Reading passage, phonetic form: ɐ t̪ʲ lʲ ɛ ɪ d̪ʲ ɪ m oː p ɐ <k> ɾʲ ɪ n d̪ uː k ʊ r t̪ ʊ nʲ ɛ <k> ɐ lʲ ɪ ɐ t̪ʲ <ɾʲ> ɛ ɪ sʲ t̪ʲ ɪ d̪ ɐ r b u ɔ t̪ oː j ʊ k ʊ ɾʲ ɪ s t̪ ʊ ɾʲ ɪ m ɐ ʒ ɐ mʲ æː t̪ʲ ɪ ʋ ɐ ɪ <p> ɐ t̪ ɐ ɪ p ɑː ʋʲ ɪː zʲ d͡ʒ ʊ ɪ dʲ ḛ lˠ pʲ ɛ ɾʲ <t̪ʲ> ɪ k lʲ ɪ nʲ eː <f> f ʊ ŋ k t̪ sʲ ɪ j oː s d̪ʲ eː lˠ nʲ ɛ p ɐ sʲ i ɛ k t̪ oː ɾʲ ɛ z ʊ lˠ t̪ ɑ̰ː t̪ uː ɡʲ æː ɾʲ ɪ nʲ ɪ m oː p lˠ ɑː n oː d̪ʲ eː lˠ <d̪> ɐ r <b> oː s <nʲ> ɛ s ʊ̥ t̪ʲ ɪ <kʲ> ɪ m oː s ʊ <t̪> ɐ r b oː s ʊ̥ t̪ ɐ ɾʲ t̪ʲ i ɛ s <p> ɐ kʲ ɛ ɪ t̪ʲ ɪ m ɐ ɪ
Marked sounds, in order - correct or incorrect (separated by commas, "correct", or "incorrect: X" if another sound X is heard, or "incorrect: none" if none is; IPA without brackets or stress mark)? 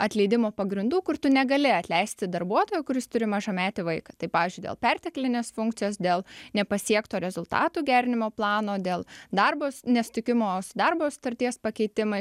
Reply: incorrect: ɡ, incorrect: ɡ, incorrect: lʲ, incorrect: k, correct, incorrect: s, correct, correct, correct, correct, incorrect: d̪, correct